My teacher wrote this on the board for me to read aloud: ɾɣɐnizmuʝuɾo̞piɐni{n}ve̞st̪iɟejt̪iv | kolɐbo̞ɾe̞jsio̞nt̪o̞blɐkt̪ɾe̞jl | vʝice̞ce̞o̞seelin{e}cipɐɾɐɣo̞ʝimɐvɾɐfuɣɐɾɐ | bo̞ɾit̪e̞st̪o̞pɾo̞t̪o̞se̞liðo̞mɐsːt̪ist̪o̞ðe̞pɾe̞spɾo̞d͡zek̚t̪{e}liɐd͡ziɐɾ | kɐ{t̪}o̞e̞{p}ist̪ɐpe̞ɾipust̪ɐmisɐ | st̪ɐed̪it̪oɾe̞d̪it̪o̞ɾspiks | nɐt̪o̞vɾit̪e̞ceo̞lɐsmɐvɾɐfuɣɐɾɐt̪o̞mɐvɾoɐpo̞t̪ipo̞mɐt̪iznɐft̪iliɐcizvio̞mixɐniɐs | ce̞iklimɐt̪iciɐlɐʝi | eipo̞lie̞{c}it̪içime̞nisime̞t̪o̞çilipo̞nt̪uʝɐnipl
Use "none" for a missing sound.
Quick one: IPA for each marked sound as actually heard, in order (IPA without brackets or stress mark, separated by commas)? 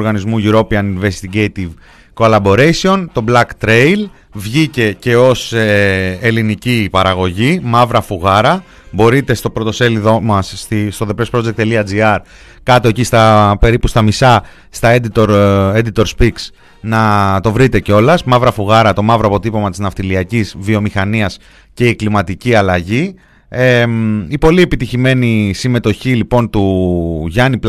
n, i, e, t̪, c, p